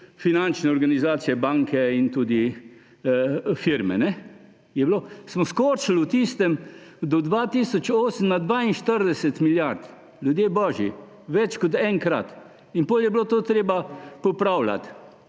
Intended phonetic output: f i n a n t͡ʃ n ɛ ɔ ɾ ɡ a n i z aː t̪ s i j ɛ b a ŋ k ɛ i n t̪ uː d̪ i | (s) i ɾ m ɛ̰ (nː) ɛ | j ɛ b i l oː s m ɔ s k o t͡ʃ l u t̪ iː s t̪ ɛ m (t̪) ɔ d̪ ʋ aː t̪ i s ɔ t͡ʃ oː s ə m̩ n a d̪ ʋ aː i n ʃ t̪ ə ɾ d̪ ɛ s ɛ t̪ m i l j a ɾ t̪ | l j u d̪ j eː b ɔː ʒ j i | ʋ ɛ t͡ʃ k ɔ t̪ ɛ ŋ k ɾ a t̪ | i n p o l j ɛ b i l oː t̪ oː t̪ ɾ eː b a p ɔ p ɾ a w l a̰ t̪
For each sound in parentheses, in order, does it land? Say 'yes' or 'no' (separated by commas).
no, no, no